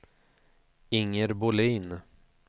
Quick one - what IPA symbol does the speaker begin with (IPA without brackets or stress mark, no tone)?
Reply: ɪ